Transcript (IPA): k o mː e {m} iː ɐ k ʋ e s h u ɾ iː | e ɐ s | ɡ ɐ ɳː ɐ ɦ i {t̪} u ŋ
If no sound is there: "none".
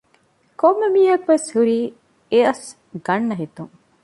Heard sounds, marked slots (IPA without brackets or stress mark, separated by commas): m, t̪